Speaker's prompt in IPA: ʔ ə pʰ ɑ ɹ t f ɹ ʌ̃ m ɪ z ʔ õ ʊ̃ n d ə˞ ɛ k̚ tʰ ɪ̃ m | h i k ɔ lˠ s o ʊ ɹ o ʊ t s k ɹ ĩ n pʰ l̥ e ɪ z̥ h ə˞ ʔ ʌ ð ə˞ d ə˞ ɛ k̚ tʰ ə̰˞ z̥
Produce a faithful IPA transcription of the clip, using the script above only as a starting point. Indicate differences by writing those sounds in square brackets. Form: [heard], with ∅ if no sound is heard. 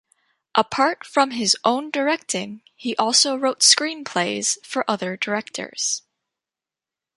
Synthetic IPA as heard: ʔ ə pʰ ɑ ɹ t f ɹ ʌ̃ m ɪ z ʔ õ ʊ̃ n d ə˞ ɛ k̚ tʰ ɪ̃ [ŋ] | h i [ʔ] ɔ lˠ s o ʊ ɹ o ʊ t s k ɹ ĩ n pʰ l̥ e ɪ z̥ [f] ə˞ ʔ ʌ ð ə˞ d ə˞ ɛ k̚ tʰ ə̰˞ z̥